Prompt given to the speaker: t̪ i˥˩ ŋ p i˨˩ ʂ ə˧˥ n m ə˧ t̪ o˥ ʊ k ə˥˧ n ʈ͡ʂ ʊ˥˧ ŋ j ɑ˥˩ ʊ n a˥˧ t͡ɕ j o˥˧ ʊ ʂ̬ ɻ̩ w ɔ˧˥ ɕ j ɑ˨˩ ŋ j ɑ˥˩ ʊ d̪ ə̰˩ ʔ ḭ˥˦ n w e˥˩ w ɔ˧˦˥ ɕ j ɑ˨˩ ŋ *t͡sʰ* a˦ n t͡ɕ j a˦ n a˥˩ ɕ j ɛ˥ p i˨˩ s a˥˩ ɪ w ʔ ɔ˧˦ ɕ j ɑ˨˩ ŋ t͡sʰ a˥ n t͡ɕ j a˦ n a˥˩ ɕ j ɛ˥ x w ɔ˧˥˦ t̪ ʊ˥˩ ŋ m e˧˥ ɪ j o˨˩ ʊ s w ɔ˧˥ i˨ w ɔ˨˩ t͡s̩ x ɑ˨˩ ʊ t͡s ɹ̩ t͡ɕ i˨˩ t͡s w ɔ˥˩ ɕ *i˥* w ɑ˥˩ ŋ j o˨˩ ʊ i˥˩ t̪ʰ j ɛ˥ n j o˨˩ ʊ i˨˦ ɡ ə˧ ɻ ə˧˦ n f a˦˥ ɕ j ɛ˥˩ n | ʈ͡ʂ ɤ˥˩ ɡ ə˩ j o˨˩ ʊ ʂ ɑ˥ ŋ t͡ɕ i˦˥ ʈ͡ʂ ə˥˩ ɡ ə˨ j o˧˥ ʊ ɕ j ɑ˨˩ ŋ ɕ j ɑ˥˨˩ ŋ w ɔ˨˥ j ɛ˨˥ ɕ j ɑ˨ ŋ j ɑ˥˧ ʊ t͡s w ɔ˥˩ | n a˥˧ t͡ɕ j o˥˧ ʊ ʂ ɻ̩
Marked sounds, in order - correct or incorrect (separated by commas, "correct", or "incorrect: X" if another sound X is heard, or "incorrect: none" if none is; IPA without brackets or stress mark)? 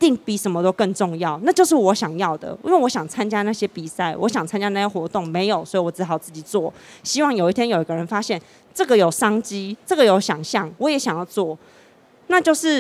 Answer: correct, correct